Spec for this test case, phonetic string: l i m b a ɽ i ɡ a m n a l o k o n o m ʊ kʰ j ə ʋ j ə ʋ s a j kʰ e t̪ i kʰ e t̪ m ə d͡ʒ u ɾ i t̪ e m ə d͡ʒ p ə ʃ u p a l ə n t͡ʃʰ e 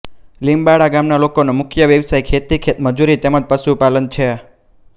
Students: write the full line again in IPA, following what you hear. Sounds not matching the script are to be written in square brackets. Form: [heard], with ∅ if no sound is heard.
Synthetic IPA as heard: l i m b a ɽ [a] ɡ a m n a l o k o n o m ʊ kʰ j ə ʋ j ə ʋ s a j kʰ e t̪ i kʰ e t̪ m ə d͡ʒ u ɾ i t̪ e m ə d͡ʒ p ə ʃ u p a l ə n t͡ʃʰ e